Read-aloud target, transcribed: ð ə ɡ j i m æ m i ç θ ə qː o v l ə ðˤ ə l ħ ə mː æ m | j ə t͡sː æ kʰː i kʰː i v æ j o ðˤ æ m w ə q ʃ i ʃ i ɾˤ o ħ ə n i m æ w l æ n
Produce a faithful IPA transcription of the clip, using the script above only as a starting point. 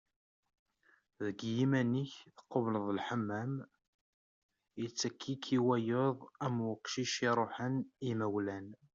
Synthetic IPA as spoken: ð ə ɡ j i m æ n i ç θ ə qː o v l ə ðˤ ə l ħ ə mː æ m | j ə t͡sː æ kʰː i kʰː i w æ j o ðˤ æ m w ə q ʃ i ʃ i ɾˤ o ħ ə n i m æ w l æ n